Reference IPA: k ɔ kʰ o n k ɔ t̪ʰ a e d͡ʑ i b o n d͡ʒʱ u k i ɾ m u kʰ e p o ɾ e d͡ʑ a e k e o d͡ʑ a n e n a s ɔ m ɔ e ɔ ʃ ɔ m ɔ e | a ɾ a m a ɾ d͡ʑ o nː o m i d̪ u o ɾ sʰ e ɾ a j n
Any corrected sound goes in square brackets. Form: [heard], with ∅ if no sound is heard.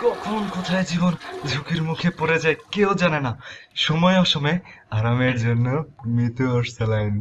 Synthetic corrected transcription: k ɔ kʰ o n k ɔ t̪ʰ a e d͡ʑ i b o n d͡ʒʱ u k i ɾ m u kʰ e p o ɾ e d͡ʑ a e k e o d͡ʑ a n e n a [ʃ] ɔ m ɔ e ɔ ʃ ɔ m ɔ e | a ɾ a m [e] ɾ d͡ʑ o nː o m i [t̪] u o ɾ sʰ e [l] a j n